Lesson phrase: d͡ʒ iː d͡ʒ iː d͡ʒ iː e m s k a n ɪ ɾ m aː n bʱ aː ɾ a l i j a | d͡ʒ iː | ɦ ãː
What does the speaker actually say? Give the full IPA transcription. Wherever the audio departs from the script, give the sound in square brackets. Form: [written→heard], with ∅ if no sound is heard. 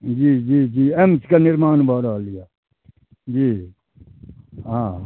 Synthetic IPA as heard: d͡ʒ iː d͡ʒ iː d͡ʒ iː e m s k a n ɪ ɾ m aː n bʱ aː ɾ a l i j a | d͡ʒ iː | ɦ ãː